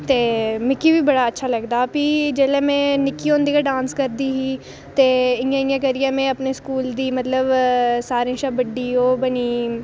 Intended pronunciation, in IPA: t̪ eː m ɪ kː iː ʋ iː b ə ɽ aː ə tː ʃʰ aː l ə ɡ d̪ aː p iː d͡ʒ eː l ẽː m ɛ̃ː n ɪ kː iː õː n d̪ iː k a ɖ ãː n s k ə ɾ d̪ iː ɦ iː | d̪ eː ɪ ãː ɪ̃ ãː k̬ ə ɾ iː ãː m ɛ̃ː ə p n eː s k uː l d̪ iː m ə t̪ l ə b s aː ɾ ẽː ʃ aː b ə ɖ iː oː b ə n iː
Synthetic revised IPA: t̪ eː m ɪ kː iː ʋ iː b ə ɽ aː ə tː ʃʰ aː l ə ɡ d̪ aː p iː d͡ʒ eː l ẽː m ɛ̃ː n ɪ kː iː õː n d̪ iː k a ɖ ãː n s k ə ɾ d̪ iː ɦ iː | t̪ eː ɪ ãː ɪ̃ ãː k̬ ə ɾ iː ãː m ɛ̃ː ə p n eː s k uː l d̪ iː m ə t̪ l ə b s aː ɾ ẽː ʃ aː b ə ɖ iː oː b ə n iː

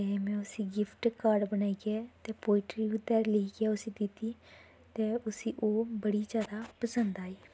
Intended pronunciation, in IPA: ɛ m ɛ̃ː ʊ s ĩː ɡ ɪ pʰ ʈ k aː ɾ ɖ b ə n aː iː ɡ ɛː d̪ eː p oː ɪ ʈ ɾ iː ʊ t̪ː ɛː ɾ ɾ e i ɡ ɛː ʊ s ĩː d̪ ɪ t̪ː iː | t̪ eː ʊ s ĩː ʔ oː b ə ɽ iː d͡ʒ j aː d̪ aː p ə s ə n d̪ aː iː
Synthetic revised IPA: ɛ m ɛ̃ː ʊ s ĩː ɡ ɪ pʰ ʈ k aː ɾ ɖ b ə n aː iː ɡ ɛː t̪ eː p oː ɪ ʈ ɾ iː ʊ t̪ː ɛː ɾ l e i ɡ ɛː ʊ s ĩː d̪ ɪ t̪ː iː | t̪ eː ʊ s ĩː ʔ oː b ə ɽ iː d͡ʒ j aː d̪ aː p ə s ə n d̪ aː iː

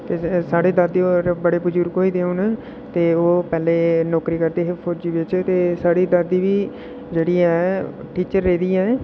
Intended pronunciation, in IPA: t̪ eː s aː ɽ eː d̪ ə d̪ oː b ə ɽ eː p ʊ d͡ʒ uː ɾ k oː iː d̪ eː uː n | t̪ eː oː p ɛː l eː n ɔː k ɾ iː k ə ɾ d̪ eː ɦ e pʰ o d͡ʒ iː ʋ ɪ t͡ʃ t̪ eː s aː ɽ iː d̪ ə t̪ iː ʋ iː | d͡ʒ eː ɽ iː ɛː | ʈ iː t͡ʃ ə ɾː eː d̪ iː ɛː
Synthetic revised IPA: t̪ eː s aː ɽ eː d̪ ə d̪ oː b ə ɽ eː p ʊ d͡ʒ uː ɾ k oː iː d̪ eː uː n | t̪ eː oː p ɛː l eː n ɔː k ɾ iː k ə ɾ d̪ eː ɦ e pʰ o d͡ʒ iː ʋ ɪ t͡ʃ t̪ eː s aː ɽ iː d̪ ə d̪ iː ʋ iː | d͡ʒ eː ɽ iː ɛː | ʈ iː t͡ʃ ə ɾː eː d̪ iː ɛː

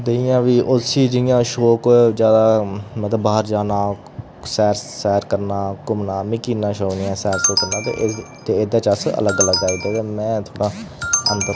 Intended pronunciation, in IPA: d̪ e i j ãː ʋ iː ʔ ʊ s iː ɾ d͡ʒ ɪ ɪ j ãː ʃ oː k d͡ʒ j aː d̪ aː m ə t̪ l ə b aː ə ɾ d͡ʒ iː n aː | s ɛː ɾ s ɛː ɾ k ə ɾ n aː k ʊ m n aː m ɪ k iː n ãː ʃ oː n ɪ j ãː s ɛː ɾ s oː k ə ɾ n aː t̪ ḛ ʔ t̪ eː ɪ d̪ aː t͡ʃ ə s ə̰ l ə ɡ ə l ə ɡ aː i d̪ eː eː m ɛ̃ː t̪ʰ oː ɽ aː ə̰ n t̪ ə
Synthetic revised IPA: d̪ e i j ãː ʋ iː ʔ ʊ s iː d͡ʒ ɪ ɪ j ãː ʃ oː k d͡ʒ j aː d̪ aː m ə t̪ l ə b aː ə ɾ d͡ʒ aː n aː | s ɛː ɾ s ɛː ɾ k ə ɾ n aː k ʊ m n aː m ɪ k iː n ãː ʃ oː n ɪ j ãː s ɛː ɾ s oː k ə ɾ n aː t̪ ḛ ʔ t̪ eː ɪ d̪ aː t͡ʃ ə s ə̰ l ə ɡ ə l ə ɡ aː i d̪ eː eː m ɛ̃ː t̪ʰ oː ɽ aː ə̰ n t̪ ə

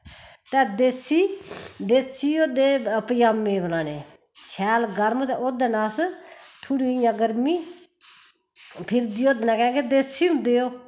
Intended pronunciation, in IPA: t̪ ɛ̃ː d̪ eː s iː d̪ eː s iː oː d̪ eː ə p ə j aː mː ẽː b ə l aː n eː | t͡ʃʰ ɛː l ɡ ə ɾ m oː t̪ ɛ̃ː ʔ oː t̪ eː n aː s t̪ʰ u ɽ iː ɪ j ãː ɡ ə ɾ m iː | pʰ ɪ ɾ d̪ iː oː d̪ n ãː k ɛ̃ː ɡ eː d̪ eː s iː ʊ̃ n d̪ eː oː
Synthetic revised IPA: t̪ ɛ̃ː d̪ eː s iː d̪ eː s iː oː d̪ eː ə p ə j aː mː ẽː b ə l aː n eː | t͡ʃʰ ɛː l ɡ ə ɾ m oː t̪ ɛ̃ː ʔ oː d̪ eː n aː s t̪ʰ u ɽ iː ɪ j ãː ɡ ə ɾ m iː | pʰ ɪ ɾ d̪ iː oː d̪ n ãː k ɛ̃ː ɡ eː d̪ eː s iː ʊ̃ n d̪ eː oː

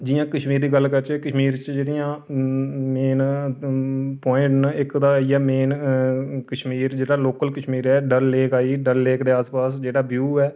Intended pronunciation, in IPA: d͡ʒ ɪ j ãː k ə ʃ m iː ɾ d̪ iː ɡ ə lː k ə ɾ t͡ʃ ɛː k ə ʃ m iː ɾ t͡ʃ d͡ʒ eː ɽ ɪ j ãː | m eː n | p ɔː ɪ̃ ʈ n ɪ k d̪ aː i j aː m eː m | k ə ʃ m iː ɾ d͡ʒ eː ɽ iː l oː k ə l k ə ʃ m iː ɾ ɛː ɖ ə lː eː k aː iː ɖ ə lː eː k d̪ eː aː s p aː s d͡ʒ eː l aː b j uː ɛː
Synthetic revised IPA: d͡ʒ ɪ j ãː k ə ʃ m iː ɾ d̪ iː ɡ ə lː k ə ɾ t͡ʃ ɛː k ə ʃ m iː ɾ t͡ʃ d͡ʒ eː ɽ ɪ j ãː | m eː n | p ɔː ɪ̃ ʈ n ɪ k d̪ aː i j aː m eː n | k ə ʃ m iː ɾ d͡ʒ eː ɽ aː l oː k ə l k ə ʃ m iː ɾ ɛː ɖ ə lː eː k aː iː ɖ ə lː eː k d̪ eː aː s p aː s d͡ʒ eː ɽ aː b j uː ɛː

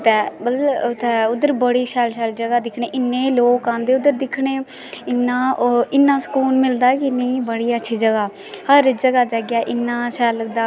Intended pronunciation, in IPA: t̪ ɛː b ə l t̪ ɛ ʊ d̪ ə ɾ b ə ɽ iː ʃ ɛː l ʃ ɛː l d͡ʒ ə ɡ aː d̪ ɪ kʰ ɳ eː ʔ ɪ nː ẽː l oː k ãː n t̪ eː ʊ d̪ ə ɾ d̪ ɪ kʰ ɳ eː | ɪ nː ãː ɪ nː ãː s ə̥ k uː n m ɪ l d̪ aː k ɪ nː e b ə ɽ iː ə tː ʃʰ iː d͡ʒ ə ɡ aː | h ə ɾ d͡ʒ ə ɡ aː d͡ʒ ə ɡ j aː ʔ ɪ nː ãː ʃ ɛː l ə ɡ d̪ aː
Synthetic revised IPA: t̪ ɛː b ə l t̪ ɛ ʊ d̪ ə ɾ b ə ɽ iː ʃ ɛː l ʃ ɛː l d͡ʒ ə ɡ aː d̪ ɪ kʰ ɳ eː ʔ ɪ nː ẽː l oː k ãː n d̪ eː ʊ d̪ ə ɾ d̪ ɪ kʰ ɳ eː | ɪ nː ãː ɪ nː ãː s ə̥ k uː n m ɪ l d̪ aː k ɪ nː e b ə ɽ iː ə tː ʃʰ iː d͡ʒ ə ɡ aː | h ə ɾ d͡ʒ ə ɡ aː d͡ʒ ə ɡ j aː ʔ ɪ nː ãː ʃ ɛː l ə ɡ d̪ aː

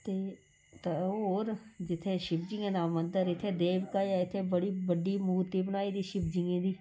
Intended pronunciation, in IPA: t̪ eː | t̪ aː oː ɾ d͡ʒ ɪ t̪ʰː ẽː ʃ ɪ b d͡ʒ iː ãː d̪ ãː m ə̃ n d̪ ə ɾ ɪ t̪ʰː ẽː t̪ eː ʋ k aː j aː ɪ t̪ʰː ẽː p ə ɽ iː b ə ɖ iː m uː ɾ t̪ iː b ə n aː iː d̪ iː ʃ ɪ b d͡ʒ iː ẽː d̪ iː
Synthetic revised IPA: t̪ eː | t̪ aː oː ɾ d͡ʒ ɪ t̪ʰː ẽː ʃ ɪ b d͡ʒ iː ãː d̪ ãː m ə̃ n d̪ ə ɾ ɪ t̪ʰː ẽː d̪ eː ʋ k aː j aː ɪ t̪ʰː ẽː b ə ɽ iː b ə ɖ iː m uː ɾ t̪ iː b ə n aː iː d̪ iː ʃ ɪ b d͡ʒ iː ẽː d̪ iː

